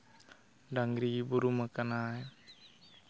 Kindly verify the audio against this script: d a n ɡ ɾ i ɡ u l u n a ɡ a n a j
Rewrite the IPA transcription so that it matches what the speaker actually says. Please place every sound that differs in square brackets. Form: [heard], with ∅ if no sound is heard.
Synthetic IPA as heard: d a [ŋ] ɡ ɾ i [b] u [ɾ] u [m] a [k] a n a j